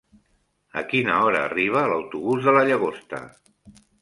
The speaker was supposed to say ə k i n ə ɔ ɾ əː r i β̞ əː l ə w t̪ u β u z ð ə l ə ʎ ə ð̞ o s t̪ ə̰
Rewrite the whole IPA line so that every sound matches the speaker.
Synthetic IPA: ə k i n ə ɔ ɾ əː r i β̞ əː l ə w t̪ u β u z ð ə l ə ʎ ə ɣ̞ o s t̪ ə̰